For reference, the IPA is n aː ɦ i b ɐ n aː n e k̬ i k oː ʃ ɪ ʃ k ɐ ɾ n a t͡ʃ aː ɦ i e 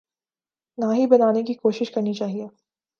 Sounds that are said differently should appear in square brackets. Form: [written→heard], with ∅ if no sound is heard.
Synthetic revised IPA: n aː ɦ i b ɐ n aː n e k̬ i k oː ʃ ɪ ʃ k ɐ ɾ n [a→i] t͡ʃ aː ɦ i e